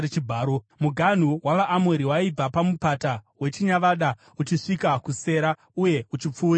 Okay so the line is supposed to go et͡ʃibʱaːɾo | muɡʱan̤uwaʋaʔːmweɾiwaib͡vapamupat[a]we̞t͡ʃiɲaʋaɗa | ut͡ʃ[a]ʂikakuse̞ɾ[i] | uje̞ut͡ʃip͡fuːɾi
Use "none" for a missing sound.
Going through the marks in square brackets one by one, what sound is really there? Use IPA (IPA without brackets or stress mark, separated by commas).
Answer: a, i, a